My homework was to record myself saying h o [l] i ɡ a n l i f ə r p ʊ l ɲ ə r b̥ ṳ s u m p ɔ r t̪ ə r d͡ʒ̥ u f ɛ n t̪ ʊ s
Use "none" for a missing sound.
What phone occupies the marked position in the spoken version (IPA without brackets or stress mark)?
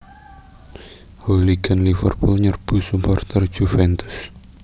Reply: l